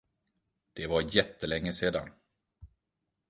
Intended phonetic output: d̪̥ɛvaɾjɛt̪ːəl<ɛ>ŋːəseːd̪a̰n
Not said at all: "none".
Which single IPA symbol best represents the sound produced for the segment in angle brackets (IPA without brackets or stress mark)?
ɛ